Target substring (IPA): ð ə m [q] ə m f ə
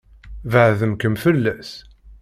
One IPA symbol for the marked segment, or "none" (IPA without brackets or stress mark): k